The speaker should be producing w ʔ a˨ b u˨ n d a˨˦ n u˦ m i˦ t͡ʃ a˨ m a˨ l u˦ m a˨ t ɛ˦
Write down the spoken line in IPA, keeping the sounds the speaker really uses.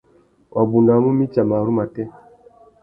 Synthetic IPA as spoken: w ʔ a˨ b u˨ n d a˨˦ m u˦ m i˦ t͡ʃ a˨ m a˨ ɾ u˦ m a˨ t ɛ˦